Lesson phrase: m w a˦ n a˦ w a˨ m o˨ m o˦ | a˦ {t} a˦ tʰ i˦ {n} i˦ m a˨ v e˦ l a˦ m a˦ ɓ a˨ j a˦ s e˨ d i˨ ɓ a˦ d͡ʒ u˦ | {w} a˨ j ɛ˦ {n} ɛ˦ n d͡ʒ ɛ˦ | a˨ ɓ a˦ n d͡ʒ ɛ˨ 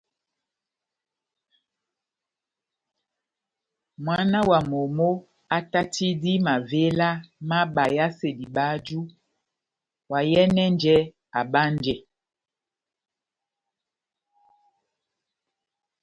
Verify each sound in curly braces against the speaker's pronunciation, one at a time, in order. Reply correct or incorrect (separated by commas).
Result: correct, incorrect, correct, correct